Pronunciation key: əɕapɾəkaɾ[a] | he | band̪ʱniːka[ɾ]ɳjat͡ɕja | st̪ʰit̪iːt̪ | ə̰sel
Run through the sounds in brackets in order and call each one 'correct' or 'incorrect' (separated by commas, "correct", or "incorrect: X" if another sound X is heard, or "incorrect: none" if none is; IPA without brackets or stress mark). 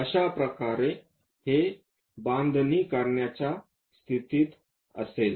incorrect: e, correct